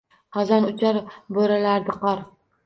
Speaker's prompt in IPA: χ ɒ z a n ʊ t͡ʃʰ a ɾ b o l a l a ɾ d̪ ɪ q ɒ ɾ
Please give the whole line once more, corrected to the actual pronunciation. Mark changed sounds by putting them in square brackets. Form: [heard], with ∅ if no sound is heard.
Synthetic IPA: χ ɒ z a n ʊ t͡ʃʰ a ɾ b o [ɾ] a l a ɾ d̪ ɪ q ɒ ɾ